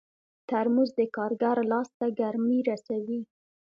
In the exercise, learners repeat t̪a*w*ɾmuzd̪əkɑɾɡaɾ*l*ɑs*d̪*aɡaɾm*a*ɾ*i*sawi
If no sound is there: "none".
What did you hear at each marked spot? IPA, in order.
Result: none, l, t̪, i, a

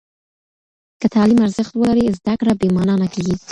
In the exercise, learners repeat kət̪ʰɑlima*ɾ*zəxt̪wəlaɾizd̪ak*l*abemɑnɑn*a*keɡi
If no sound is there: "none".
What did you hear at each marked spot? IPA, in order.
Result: ɾ, ɽ, a

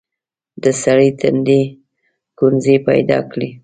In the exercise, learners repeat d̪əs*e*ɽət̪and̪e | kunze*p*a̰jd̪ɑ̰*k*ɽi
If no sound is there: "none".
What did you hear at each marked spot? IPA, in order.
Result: a, p, k

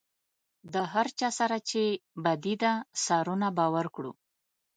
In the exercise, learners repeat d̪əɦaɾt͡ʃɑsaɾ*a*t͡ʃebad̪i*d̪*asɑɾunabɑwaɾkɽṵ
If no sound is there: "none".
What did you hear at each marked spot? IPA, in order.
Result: a, d̪

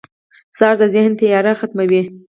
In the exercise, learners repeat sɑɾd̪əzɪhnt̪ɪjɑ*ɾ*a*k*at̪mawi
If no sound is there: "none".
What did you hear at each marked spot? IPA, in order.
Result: ɾ, x

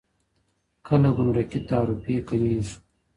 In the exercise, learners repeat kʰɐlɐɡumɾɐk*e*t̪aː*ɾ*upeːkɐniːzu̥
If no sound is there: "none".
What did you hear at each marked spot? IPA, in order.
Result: i, ɾ

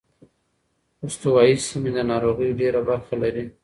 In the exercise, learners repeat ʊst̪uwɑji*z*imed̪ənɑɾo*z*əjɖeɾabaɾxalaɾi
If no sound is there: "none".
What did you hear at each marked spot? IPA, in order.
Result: s, ɣ

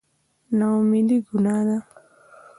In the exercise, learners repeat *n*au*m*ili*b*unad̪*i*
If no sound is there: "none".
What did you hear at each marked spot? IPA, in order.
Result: n, m, ɡ, a

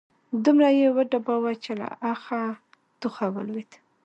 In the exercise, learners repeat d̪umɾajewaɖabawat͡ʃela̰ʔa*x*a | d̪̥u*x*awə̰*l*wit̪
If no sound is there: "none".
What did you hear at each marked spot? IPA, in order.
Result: x, x, l

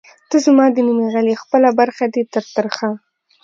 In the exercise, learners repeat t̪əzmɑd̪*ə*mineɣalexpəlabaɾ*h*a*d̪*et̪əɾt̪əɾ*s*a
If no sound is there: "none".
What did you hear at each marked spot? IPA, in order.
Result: ə, x, d̪, x

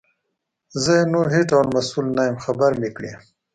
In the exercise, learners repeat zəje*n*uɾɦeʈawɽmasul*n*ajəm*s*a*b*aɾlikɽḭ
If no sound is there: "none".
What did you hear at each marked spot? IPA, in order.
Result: n, n, x, b

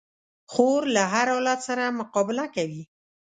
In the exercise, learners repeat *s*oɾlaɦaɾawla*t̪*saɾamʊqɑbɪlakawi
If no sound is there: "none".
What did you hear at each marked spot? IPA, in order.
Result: x, t̪

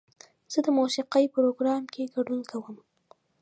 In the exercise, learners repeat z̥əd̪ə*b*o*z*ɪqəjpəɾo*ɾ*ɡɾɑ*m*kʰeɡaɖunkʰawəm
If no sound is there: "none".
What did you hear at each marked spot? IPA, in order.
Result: m, s, none, m

